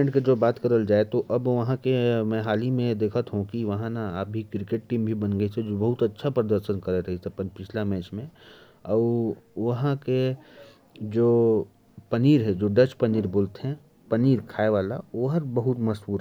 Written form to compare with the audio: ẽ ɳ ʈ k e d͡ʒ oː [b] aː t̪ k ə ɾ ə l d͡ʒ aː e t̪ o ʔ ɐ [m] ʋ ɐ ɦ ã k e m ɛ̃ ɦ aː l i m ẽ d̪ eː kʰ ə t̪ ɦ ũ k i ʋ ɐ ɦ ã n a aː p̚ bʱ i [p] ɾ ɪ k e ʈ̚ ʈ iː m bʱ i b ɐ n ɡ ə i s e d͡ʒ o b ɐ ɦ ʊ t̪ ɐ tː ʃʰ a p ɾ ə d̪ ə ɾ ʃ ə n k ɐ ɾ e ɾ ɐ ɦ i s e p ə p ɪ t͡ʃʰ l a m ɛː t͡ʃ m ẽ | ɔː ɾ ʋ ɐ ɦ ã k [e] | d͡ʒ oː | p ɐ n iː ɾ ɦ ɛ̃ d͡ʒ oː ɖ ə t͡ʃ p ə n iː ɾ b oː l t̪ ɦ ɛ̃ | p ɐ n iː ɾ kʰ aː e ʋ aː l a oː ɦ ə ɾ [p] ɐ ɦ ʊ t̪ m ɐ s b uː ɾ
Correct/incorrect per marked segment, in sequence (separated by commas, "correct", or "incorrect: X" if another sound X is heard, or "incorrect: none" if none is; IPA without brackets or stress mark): correct, incorrect: b, incorrect: k, correct, incorrect: b